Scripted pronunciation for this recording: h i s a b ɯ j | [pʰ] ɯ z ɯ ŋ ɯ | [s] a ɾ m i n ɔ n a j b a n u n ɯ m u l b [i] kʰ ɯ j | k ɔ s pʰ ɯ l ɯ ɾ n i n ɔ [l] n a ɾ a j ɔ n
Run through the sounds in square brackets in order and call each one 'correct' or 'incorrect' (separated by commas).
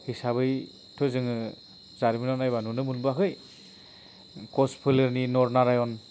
incorrect, incorrect, incorrect, incorrect